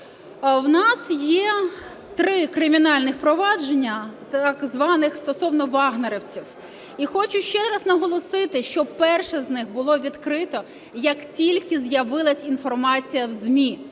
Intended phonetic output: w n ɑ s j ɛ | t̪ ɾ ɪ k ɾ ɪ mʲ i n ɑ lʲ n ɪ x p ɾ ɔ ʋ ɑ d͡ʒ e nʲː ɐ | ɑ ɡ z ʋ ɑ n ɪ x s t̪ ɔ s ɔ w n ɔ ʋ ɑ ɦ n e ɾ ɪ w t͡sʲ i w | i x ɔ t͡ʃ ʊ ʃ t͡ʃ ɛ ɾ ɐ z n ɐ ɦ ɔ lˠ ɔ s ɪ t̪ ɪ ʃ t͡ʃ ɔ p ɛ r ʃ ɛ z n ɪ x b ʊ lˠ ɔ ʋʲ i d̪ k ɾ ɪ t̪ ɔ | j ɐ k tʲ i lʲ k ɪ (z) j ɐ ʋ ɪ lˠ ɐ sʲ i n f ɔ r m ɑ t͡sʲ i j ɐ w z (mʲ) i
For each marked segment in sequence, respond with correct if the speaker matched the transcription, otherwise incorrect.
correct, correct

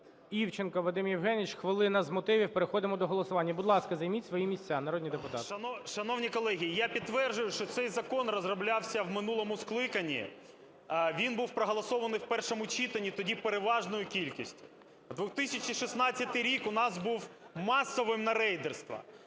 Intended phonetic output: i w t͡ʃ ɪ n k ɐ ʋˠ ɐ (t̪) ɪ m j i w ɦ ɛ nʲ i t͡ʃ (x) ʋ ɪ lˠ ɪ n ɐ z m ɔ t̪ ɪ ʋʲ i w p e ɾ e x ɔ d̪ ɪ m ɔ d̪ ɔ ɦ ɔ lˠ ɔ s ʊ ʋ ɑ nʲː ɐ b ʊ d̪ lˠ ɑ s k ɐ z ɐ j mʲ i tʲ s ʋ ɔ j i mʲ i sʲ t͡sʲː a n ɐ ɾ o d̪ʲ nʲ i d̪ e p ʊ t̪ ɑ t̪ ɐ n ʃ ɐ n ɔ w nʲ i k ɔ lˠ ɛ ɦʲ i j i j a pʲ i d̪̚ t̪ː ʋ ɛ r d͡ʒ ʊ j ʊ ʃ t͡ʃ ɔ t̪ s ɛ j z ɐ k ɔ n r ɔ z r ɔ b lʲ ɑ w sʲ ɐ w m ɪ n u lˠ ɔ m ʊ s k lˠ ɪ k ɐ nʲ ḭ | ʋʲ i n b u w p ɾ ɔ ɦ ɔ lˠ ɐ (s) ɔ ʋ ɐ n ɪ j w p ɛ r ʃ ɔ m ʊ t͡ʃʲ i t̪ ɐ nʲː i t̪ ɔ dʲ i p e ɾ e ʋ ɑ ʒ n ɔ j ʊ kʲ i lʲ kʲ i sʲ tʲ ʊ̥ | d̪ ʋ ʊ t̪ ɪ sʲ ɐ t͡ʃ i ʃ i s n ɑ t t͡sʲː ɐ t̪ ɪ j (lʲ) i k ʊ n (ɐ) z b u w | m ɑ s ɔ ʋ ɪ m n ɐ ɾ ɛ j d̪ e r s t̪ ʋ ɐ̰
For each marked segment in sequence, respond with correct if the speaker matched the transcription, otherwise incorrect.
incorrect: d̪, correct, correct, incorrect: ɾʲ, incorrect: ɑ

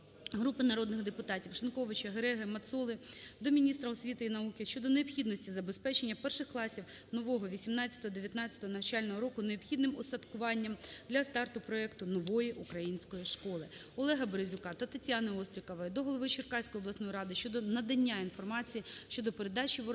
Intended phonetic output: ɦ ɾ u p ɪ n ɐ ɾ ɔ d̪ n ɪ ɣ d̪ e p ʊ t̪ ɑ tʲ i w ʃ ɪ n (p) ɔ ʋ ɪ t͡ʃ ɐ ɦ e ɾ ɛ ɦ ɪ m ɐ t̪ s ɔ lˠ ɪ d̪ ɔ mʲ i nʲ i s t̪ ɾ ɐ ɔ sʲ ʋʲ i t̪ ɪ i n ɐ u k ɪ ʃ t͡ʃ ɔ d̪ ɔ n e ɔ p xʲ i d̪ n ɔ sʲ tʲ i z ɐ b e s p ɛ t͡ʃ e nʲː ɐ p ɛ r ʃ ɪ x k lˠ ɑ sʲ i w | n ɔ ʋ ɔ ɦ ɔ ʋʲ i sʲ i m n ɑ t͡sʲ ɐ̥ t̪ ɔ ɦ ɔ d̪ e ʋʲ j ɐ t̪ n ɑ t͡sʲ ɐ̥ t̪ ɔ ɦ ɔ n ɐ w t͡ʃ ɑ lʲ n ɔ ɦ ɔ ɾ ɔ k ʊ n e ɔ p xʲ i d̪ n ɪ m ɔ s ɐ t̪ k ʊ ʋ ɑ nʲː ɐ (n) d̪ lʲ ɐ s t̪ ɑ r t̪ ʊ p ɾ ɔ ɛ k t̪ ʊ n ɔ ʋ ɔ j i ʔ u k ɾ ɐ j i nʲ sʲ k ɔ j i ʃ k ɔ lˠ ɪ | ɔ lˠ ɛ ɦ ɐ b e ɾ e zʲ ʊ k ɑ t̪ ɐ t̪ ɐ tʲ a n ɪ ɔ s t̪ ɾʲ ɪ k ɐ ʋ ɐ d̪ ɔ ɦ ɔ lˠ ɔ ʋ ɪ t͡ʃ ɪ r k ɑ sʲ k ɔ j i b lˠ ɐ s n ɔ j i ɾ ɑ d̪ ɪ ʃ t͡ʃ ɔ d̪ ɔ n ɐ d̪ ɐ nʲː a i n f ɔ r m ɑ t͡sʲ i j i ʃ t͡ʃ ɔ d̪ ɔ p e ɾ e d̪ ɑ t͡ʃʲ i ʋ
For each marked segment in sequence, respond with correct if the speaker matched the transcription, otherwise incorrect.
incorrect: k, incorrect: m

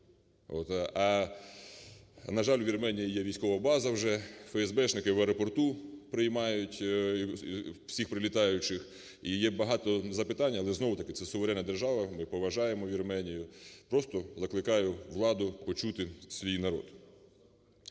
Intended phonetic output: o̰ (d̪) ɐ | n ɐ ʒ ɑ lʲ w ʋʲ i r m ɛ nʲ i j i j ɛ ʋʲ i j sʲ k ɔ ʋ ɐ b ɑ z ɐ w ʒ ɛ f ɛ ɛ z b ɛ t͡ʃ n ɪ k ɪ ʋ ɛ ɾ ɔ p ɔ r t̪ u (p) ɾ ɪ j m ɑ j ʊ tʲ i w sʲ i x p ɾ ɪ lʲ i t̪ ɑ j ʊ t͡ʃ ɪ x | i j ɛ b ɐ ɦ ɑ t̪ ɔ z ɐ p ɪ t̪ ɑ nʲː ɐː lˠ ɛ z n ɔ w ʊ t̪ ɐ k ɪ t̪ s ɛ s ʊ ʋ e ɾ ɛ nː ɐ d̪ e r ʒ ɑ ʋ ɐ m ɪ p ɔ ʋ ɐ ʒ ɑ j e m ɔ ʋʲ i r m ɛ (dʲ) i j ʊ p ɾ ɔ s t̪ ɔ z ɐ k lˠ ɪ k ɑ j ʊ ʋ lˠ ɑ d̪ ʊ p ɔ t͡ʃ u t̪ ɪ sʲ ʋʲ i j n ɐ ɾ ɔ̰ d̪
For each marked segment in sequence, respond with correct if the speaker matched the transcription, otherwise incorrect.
incorrect: t̪, correct, incorrect: nʲ

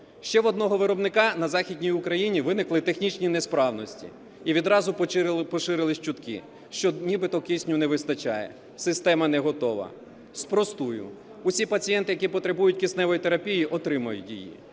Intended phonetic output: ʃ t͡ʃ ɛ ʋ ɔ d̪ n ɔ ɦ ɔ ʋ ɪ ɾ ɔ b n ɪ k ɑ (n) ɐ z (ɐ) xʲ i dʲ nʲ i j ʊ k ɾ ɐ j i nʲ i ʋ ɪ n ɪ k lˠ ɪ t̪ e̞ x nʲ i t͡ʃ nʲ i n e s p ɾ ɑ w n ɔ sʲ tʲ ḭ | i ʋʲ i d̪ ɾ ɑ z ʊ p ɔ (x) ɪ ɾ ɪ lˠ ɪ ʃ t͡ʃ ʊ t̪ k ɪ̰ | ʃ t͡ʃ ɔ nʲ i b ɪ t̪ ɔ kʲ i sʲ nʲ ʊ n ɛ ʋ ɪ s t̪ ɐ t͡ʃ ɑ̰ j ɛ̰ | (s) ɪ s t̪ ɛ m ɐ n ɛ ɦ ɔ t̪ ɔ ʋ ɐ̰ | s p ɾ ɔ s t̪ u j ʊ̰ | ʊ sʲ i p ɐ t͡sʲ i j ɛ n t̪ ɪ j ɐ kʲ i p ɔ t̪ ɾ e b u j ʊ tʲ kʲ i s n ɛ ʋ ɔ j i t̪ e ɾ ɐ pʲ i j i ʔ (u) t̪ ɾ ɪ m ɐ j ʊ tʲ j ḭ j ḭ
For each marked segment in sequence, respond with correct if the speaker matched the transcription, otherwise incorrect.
correct, incorrect: ɑ, incorrect: ʃ, correct, incorrect: ɔ

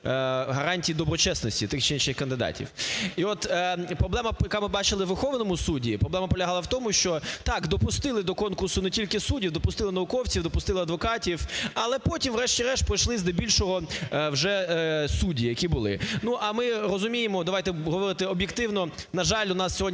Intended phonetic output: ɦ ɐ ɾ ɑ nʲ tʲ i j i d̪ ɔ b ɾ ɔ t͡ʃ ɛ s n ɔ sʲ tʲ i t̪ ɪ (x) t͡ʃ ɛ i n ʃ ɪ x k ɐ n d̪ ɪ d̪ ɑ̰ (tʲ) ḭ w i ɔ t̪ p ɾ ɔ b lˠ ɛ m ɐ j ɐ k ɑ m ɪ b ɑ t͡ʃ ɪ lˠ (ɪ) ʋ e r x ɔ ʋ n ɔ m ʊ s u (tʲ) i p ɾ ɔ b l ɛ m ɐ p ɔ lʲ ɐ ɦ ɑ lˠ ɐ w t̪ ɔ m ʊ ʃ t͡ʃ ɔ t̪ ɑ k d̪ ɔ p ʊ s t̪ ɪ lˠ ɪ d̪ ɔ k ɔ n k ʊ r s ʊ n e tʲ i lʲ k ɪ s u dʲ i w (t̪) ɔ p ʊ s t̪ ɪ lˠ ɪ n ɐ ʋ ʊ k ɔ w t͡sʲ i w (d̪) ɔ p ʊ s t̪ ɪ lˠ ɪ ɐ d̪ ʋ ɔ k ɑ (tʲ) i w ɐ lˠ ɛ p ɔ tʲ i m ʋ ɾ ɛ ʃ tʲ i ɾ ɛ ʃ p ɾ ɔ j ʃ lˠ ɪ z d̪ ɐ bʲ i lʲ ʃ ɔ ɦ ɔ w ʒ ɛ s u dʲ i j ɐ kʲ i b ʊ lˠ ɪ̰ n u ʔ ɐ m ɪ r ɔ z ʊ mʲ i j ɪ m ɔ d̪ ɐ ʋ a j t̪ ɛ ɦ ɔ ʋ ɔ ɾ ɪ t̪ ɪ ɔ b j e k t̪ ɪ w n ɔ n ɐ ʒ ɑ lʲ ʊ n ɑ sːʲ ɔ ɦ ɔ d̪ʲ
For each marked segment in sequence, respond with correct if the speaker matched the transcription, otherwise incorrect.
correct, correct, correct, incorrect: dʲ, incorrect: d̪, correct, correct

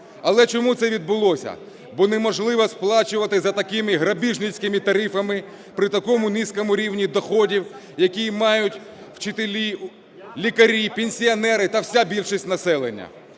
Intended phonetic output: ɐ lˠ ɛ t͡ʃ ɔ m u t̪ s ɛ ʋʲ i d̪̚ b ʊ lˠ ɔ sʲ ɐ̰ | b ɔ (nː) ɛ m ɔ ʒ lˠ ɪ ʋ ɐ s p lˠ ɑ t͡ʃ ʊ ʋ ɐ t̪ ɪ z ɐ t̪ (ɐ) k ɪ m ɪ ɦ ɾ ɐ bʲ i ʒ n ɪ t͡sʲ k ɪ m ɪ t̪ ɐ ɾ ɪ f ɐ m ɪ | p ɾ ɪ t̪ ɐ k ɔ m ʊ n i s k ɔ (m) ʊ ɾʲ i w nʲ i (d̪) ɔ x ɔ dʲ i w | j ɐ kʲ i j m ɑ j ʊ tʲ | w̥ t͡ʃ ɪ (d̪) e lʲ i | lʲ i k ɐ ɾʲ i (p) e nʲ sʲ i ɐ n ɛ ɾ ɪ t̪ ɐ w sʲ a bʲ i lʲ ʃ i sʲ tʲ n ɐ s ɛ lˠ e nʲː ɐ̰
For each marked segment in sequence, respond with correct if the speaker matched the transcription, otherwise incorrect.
incorrect: n, correct, correct, correct, incorrect: t̪, correct

